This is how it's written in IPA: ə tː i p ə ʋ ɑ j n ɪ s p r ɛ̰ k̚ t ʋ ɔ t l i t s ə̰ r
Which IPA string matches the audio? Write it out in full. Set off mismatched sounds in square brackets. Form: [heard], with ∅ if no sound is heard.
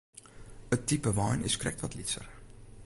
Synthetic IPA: ə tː i p ə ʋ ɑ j n ɪ s [k] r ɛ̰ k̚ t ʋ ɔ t l i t s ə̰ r

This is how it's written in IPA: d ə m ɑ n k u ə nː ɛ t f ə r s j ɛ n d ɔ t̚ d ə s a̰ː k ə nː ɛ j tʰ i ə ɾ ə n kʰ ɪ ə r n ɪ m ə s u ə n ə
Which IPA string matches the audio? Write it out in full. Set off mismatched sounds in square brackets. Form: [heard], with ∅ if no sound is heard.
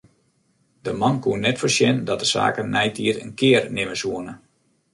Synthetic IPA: d ə m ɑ n k u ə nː ɛ t f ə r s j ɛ n d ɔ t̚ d ə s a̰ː k ə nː ɛ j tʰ i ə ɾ ə n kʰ ɪ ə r n ɪ m ə s u ə n ə

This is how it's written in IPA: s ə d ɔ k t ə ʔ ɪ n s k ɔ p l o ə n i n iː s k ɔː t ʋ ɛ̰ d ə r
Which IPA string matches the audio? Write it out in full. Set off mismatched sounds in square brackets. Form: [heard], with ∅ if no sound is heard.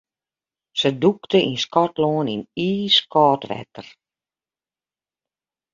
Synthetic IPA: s ə d [u] k t ə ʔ [i] n s k ɔ [t] l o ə n i n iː s k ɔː t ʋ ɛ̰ [t] ə r

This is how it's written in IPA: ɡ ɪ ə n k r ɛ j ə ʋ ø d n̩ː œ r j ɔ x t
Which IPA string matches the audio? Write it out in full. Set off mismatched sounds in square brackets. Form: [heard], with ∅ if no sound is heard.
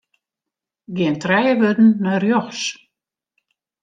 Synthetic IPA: ɡ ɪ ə n [t] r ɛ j ə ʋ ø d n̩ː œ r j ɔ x [s]

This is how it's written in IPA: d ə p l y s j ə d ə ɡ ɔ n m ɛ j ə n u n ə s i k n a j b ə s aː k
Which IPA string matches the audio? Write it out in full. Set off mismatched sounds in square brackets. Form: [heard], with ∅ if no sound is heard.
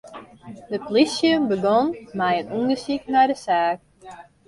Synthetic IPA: d ə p l [i] s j ə [b] ə ɡ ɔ n m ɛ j ə n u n ə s i k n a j [d] ə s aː k

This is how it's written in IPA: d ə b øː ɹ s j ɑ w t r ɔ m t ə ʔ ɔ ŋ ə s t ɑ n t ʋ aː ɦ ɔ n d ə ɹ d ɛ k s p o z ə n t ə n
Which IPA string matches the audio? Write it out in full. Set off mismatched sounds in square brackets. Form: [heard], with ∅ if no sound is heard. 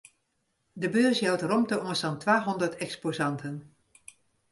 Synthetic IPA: d ə b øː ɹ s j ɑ w t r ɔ m t ə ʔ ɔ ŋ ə s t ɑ n t ʋ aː ɦ ɔ n d ə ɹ [t] ɛ k s p o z [ɑ] n t ə n

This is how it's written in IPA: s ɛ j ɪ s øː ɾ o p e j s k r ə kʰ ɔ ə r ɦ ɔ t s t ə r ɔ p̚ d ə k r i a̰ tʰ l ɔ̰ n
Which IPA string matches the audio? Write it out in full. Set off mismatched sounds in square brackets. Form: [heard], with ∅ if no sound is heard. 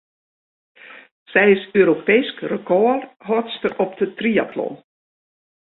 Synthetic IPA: s ɛ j ɪ s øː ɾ o p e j s k r ə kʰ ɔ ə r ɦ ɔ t s t ə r ɔ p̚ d ə [t] r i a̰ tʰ l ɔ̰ n

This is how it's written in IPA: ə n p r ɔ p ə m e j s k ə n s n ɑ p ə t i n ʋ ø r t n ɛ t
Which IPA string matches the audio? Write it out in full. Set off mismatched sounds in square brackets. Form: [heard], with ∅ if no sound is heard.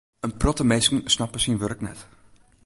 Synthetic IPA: ə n p r ɔ [t] ə m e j s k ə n s n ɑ p ə [s] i n ʋ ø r [k] n ɛ t

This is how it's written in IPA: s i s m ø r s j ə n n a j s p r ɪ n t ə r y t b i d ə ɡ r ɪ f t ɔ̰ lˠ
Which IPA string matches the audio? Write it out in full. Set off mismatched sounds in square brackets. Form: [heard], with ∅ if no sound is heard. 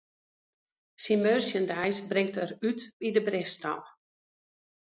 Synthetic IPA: s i [∅] m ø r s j ə n [d] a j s [b] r ɪ [ŋ] t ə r y t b i d ə [b] r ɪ [s] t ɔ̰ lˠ

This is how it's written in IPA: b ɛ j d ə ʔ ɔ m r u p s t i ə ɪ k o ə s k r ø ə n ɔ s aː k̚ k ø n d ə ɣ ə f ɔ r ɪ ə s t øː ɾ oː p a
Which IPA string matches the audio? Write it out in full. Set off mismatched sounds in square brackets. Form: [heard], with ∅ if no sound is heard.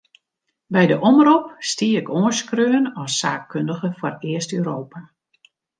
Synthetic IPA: b ɛ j d ə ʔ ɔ m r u p s t i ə ɪ k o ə s k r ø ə n ɔ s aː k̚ k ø n d ə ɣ ə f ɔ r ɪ ə s t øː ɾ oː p a

